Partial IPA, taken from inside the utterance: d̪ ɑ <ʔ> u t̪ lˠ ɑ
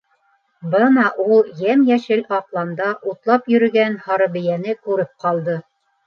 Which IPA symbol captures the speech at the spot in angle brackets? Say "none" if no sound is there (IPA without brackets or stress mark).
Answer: ʔ